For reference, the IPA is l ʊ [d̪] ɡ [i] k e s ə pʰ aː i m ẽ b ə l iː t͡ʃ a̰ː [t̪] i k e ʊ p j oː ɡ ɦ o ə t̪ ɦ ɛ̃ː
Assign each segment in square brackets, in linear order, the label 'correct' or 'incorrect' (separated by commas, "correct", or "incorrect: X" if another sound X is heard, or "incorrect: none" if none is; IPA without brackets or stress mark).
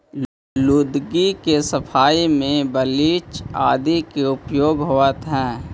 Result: correct, correct, incorrect: d̪